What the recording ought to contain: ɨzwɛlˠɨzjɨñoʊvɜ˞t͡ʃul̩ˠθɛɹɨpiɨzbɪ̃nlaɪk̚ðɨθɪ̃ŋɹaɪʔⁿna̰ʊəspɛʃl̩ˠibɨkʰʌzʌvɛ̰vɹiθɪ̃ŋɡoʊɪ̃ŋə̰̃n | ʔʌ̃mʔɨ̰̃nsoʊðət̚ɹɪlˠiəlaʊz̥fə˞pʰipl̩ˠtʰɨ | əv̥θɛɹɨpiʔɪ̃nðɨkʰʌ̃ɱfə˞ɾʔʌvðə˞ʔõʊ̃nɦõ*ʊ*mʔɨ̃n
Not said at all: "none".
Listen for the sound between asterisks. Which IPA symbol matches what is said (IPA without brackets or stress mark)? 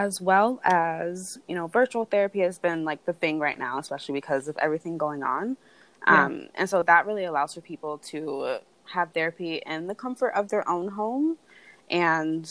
ʊ̃